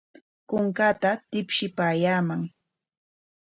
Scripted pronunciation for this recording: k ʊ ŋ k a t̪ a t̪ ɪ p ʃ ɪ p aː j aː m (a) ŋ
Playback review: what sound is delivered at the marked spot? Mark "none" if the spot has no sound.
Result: a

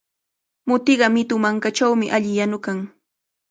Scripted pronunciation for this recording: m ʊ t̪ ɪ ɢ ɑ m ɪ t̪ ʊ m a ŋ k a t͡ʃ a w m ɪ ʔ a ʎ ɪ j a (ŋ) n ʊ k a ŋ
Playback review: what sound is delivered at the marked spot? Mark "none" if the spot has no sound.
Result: none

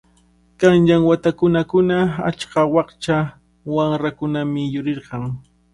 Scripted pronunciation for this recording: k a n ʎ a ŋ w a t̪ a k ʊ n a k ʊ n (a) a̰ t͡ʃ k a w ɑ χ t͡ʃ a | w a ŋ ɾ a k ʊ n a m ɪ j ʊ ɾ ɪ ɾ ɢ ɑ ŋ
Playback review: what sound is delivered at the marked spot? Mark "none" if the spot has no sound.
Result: a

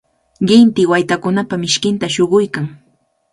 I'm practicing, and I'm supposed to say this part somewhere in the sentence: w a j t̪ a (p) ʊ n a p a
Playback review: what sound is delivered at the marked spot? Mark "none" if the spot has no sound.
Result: k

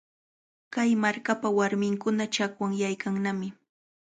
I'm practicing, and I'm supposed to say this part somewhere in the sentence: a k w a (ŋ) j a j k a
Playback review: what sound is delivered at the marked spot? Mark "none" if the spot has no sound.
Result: ŋ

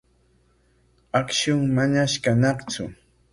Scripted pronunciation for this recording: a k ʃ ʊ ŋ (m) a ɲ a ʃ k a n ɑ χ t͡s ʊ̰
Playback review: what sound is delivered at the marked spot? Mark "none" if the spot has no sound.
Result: m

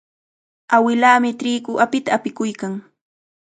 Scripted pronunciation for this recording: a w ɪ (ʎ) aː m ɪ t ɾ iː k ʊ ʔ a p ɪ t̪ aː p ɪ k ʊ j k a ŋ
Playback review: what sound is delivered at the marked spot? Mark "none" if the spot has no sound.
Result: l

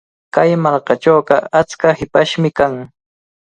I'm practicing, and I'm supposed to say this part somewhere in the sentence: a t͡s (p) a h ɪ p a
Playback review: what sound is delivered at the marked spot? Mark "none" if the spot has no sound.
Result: k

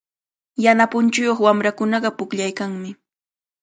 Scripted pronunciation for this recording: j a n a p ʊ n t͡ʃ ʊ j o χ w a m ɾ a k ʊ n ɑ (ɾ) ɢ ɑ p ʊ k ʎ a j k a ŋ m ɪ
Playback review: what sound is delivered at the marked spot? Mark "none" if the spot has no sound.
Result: none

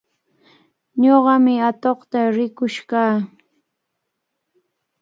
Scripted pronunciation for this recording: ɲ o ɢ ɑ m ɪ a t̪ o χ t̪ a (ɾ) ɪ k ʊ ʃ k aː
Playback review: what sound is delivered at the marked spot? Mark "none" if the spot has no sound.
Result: ɾ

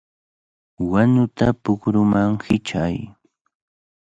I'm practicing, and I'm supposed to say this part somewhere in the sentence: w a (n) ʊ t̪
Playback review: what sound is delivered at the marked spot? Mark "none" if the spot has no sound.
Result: ɲ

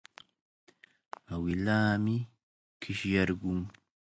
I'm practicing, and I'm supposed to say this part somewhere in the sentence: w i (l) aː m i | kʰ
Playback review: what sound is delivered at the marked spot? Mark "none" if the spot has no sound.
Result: l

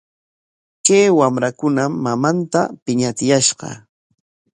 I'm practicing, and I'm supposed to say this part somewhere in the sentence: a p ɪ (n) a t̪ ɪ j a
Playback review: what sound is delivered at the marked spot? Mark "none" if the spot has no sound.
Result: ɲ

